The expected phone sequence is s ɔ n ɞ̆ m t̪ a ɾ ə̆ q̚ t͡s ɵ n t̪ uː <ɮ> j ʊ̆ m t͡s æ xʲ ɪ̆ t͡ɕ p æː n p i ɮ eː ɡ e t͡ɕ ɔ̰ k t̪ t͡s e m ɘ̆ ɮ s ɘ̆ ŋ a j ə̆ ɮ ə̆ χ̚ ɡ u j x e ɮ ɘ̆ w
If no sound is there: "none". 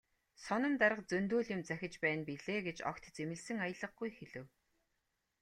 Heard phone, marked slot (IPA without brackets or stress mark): ɮ